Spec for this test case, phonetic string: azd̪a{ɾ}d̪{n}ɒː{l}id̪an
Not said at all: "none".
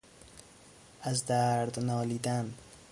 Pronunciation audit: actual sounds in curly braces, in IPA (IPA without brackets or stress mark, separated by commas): ɾ, n, l